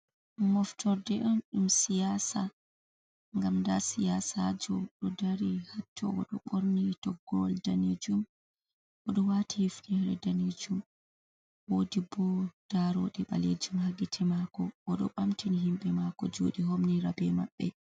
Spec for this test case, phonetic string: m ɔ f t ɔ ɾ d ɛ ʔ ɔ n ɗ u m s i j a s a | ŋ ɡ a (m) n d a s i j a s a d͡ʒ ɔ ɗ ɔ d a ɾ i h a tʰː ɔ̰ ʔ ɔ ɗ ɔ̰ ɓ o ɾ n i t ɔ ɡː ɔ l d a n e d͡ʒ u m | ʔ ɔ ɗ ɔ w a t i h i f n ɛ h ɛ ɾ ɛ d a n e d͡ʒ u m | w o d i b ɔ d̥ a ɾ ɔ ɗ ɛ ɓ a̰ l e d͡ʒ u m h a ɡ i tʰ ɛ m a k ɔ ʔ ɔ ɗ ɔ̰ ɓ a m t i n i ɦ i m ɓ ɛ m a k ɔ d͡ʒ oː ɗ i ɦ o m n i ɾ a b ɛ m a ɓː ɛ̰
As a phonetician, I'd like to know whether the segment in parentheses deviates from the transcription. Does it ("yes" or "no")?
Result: no